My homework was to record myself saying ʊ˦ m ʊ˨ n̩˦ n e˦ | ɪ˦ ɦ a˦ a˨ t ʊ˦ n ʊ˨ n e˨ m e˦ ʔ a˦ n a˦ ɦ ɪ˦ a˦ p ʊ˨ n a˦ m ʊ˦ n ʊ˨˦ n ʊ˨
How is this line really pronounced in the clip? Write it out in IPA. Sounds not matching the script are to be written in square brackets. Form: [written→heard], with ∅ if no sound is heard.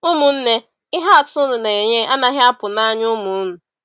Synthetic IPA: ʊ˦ m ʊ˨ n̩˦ n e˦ | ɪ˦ ɦ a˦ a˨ t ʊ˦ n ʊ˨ n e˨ [m→ɲ] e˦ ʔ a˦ n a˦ ɦ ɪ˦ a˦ p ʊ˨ n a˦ [m→ɲ] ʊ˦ [n→m] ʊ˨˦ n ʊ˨